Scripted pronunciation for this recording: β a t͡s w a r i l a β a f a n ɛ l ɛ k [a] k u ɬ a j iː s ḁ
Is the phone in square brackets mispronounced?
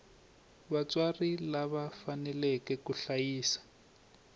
yes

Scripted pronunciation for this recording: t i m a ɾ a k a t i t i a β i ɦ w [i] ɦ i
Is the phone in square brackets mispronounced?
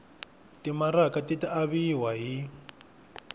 yes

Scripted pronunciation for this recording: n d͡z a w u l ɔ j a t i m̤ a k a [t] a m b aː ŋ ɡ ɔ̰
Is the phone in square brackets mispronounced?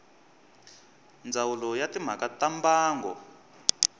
no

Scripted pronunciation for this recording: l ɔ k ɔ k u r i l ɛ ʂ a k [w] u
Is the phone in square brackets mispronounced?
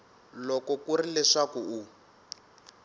yes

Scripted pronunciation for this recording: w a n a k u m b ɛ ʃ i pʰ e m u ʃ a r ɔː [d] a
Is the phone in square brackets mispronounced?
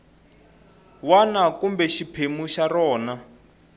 yes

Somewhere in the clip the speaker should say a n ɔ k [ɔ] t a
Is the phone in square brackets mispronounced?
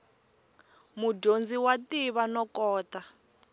yes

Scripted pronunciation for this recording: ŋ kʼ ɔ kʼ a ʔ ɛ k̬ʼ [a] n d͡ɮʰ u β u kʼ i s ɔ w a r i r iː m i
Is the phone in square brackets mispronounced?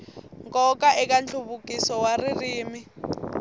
no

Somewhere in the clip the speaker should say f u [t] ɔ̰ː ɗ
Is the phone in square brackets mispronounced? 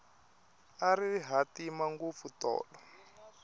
no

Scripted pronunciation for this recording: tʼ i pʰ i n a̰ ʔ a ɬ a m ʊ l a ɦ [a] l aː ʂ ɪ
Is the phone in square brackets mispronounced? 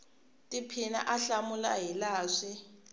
yes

